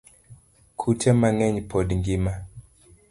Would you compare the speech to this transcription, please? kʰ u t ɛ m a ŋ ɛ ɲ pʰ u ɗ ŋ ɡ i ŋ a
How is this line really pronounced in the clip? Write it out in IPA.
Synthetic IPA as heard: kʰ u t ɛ m a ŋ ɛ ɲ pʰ ɔ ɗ ŋ ɡ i m a